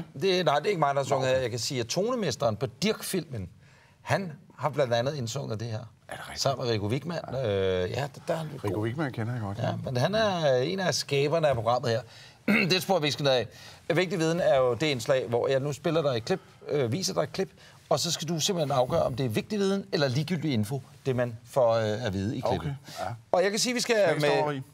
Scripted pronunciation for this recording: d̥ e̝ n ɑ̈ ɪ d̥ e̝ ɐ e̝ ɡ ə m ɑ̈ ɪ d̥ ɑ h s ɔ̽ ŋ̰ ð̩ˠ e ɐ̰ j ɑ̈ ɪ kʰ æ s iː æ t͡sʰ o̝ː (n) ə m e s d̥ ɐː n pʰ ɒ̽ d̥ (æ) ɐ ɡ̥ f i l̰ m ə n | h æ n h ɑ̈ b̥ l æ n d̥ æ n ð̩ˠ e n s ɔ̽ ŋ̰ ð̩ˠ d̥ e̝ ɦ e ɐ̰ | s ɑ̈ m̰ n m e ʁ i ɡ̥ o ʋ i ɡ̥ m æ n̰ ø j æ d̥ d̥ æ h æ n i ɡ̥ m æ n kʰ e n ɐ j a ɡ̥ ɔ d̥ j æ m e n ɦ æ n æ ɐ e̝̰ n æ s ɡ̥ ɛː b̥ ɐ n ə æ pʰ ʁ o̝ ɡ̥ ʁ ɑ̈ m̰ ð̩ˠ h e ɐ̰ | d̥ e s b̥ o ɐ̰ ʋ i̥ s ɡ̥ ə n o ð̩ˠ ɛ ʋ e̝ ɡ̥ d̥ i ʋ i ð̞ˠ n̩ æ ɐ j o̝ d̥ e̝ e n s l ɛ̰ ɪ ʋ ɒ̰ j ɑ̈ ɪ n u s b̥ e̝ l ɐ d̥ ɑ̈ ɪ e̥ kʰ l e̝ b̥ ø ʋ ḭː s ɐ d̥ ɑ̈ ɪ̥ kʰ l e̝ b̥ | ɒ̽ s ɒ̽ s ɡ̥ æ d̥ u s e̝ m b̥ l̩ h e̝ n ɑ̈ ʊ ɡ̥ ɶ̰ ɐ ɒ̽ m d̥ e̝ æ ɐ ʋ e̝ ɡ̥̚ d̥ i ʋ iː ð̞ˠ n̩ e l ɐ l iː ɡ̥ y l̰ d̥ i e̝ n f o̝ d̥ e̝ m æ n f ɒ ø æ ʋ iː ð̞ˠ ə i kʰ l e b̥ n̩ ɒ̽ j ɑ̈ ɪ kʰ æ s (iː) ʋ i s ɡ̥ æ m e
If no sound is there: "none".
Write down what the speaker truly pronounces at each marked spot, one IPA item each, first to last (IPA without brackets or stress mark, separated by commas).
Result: n, i, iː